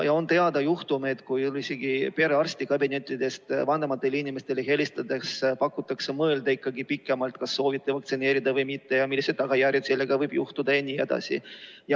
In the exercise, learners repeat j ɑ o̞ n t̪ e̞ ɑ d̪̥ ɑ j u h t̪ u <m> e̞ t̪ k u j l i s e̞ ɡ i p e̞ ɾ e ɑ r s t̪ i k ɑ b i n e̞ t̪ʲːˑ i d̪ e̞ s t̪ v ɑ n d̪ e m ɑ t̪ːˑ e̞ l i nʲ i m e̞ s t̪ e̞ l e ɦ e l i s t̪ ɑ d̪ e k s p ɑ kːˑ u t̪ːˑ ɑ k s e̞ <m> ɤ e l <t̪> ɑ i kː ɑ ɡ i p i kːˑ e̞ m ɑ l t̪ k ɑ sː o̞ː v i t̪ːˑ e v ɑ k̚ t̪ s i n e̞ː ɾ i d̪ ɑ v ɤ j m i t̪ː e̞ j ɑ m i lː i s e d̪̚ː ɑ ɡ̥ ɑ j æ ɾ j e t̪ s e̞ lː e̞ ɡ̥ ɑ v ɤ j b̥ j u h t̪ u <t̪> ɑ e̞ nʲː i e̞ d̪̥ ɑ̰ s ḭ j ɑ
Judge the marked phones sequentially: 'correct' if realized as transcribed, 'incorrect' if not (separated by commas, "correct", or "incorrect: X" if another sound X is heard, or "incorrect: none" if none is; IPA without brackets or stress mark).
correct, correct, incorrect: d̪, incorrect: d̪